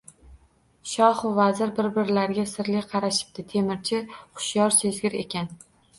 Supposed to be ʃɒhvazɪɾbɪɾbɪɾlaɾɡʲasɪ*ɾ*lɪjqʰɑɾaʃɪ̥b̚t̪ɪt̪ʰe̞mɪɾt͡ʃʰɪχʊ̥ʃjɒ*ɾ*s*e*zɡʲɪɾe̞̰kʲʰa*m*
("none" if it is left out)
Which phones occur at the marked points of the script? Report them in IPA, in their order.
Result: ɾ, ɾ, e, n

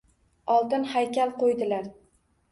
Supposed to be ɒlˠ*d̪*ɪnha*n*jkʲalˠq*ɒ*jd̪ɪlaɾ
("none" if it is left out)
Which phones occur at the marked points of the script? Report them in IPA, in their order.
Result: t̪, none, o

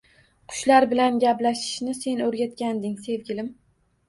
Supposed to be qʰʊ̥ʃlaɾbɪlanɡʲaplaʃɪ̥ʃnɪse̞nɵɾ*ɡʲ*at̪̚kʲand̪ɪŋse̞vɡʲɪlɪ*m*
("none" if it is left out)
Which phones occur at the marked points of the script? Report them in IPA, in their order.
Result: ɡʲ, m

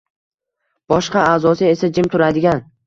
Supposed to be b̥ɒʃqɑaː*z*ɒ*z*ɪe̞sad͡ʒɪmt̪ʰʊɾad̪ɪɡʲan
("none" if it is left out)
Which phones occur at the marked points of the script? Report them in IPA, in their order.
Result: z, s

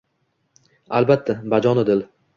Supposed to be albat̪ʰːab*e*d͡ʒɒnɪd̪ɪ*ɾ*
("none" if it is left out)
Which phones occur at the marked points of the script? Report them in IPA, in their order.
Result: a, l

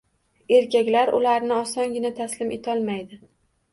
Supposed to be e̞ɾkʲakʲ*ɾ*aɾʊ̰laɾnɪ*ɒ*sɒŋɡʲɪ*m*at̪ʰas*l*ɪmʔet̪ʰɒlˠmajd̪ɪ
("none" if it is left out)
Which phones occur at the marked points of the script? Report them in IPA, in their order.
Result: l, ɒ, n, l

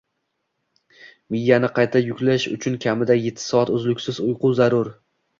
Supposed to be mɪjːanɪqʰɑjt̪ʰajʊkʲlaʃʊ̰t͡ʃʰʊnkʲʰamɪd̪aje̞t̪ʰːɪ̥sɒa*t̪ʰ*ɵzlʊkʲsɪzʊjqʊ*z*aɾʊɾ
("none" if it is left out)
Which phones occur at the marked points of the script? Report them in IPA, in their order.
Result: t̪, z

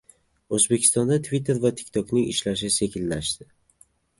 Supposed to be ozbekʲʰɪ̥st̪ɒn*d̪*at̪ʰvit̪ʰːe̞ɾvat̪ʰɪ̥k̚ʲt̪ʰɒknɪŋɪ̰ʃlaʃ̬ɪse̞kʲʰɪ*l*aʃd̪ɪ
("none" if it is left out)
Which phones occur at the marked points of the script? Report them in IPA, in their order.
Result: d̪, lː

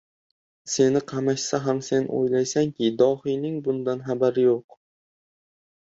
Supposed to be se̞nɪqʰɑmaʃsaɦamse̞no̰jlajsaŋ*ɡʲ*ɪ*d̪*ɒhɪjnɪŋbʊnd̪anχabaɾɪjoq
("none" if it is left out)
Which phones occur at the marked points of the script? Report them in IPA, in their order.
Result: kʲ, d̪

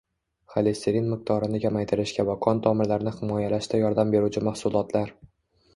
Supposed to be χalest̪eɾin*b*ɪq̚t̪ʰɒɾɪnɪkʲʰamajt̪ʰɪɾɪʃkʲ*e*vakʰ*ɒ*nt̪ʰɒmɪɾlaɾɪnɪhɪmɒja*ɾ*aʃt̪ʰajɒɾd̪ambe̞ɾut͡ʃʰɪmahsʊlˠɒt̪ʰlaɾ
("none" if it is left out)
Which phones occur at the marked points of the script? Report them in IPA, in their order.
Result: m, a, ɒ, l

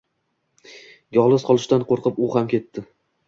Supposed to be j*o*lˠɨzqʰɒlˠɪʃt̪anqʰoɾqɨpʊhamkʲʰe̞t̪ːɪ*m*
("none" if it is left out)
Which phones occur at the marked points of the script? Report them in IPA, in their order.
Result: ɒ, none

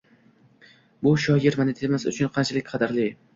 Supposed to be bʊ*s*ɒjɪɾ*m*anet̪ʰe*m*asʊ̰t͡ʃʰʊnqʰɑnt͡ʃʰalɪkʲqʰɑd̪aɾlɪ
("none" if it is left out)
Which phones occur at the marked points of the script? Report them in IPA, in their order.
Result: ʃ, m, m

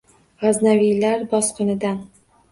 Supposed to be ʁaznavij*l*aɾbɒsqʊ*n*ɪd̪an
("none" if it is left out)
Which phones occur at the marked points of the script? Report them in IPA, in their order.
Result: l, n

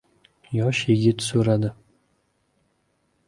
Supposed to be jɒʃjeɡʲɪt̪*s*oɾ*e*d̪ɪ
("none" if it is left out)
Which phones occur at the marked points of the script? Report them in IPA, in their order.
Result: s, a

